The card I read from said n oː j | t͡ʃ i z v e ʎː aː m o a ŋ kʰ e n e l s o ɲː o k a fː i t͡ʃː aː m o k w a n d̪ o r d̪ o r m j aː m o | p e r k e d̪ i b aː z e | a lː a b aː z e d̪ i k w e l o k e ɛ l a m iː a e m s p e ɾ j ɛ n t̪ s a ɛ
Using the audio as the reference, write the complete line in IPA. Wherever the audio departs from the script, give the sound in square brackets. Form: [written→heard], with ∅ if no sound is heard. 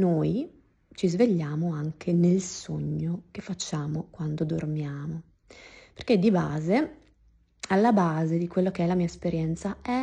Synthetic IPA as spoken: n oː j | t͡ʃ i z v e ʎː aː m o a ŋ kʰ e n e l s o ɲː o k [a→e] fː [i→a] t͡ʃː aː m o k w a n d̪ o [r→∅] d̪ o r m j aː m o | p e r k e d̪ i b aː z e | a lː a b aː z e d̪ i k w e [l→lː] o k e ɛ l a m iː a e [m→∅] s p e ɾ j ɛ n t̪ s a ɛ